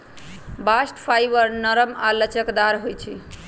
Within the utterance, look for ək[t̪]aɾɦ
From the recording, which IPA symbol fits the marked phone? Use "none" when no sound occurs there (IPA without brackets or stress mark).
d̪